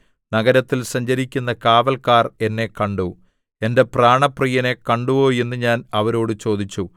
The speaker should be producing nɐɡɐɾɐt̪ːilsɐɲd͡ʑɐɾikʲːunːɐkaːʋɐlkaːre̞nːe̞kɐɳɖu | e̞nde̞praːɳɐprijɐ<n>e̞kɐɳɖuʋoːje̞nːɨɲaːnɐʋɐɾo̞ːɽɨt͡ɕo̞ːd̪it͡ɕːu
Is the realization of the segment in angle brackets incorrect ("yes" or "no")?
no